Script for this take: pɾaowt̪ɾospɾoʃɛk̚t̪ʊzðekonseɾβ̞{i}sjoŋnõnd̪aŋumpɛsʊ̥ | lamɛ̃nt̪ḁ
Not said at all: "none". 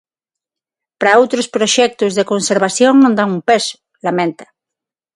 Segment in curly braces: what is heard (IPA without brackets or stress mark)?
a